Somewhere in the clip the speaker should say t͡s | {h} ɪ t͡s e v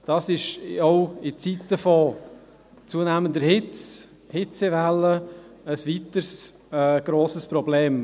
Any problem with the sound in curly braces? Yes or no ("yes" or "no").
no